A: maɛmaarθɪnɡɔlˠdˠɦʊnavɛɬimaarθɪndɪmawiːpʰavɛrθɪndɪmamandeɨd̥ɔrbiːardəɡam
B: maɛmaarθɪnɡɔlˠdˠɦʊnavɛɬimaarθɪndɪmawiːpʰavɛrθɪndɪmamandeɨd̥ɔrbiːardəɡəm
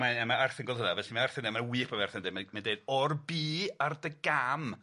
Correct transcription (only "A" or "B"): A